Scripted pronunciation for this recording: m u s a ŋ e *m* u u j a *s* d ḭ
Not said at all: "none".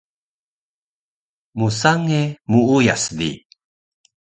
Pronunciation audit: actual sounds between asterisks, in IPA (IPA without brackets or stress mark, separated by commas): m, s